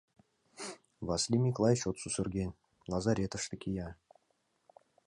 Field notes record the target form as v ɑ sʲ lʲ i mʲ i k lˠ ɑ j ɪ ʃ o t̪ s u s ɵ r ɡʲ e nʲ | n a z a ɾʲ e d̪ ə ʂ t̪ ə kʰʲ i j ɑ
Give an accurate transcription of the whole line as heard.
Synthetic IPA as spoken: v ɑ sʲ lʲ i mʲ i k lˠ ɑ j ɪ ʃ o t̪ s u s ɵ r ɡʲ e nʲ | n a z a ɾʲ e t̪ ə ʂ t̪ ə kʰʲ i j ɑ